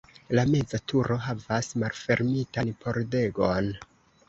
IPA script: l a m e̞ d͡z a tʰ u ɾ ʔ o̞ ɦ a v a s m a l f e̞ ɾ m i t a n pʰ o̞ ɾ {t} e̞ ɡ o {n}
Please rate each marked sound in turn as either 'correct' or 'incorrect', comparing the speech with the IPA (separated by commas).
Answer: incorrect, correct